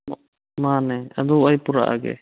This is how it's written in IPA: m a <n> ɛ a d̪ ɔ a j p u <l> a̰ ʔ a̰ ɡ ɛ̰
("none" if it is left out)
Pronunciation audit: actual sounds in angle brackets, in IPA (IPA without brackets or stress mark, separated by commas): n, ɾ